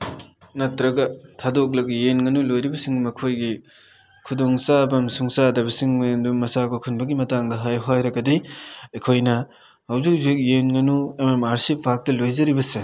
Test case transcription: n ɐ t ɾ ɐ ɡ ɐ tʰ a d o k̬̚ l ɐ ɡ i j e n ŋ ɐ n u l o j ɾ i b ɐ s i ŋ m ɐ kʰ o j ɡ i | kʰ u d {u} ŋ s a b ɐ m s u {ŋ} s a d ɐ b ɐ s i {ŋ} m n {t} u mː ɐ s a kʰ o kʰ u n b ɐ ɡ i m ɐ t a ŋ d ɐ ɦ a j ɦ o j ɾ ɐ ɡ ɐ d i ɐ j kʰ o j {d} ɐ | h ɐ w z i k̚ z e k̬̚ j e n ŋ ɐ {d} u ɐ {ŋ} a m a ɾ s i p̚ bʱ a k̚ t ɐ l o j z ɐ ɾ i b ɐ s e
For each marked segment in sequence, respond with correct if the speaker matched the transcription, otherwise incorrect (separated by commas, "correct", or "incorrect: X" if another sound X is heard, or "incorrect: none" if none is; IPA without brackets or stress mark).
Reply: incorrect: o, correct, correct, incorrect: d, incorrect: n, incorrect: n, incorrect: m